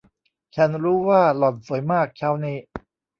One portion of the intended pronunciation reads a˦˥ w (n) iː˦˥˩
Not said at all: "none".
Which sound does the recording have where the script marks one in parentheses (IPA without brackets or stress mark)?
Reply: n